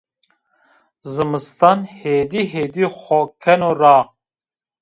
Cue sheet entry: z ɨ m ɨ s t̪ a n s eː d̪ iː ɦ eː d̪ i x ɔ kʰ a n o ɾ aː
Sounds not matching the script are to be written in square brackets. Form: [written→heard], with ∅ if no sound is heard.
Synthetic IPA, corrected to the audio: z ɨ m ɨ s t̪ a n [s→h] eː d̪ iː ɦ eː d̪ i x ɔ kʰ [a→ɛ] n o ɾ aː